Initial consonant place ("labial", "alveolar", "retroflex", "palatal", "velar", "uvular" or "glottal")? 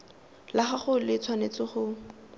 alveolar